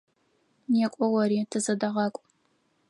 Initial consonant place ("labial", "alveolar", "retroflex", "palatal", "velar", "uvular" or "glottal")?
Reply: alveolar